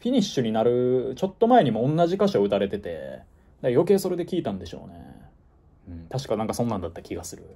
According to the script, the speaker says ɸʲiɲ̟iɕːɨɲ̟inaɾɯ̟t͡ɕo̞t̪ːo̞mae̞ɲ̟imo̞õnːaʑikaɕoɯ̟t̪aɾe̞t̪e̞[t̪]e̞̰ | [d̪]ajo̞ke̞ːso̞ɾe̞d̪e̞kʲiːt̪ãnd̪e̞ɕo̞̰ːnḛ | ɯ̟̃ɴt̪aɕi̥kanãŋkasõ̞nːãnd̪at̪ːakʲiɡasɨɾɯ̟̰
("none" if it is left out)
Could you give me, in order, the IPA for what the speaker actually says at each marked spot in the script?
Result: t̪, d̪

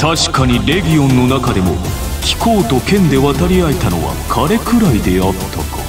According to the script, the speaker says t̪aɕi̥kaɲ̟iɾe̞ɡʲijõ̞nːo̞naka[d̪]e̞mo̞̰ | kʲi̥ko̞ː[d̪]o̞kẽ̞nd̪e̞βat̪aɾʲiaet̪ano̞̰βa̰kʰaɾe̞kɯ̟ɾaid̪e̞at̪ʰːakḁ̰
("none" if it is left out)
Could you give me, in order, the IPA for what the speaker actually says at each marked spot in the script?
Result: d̪, t̪

